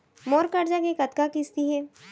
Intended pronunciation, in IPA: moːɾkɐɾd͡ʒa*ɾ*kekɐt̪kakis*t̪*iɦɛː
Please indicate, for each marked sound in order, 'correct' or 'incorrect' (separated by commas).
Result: incorrect, correct